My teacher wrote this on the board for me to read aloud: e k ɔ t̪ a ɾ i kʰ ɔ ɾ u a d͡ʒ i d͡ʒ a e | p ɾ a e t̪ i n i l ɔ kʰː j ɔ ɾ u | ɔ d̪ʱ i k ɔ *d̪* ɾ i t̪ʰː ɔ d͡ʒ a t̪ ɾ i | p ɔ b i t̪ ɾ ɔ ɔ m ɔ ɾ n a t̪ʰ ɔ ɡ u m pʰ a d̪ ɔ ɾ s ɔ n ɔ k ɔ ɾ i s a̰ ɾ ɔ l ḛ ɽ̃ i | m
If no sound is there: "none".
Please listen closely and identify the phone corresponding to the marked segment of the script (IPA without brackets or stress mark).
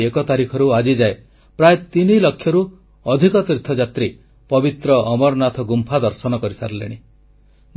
t̪